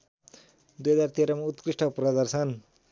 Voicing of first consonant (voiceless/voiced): voiced